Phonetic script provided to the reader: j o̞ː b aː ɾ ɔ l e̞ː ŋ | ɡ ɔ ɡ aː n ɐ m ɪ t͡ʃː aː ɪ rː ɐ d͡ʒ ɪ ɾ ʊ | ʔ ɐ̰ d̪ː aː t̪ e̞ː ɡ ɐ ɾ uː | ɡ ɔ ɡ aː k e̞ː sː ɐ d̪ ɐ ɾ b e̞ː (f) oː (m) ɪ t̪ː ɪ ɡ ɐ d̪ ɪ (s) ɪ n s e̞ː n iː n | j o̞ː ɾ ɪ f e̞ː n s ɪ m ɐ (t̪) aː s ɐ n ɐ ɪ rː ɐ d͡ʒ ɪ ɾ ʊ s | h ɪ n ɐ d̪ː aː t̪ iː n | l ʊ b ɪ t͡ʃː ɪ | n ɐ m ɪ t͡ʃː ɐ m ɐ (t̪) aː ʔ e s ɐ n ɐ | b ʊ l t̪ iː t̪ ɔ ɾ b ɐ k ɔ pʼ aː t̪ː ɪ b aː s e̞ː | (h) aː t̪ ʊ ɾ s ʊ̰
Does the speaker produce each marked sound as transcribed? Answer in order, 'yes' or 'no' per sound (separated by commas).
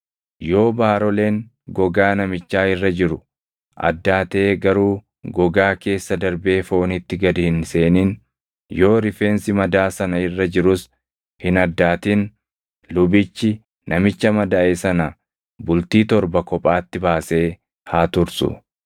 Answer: yes, no, no, no, no, yes